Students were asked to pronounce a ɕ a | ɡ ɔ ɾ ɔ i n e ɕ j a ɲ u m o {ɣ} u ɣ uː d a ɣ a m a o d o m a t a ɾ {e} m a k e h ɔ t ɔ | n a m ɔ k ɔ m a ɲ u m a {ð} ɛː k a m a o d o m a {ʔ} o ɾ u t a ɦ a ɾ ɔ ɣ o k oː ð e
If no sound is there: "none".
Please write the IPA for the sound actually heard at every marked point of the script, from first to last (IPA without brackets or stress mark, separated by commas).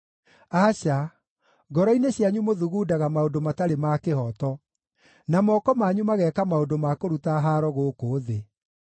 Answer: ð, e, ɣ, k